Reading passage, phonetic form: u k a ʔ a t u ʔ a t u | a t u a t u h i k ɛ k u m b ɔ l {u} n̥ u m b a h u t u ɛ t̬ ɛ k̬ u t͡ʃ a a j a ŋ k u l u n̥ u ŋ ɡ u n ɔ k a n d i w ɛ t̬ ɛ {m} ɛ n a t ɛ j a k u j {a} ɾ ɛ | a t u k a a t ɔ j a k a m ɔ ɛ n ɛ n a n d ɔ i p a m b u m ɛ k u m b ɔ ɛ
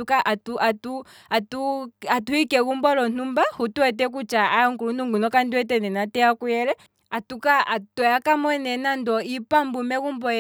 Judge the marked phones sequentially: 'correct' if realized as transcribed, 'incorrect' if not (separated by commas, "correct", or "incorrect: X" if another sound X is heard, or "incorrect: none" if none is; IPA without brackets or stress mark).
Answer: incorrect: ɔ, incorrect: n, incorrect: ɛ